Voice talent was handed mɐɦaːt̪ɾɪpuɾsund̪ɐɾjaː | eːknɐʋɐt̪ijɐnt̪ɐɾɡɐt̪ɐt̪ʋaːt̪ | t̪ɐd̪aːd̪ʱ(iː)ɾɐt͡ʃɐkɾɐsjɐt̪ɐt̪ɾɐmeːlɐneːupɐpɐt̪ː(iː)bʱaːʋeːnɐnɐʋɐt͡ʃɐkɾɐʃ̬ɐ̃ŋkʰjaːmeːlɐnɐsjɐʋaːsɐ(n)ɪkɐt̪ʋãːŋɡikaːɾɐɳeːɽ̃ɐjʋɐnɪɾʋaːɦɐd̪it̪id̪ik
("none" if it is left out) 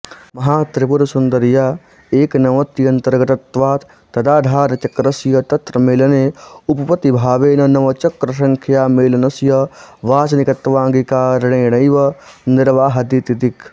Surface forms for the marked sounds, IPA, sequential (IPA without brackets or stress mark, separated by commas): aː, i, n